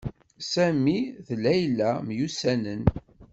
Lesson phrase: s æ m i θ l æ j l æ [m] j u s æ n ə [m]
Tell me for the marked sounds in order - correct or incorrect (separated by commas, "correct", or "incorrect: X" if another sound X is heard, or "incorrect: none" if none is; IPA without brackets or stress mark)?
correct, incorrect: n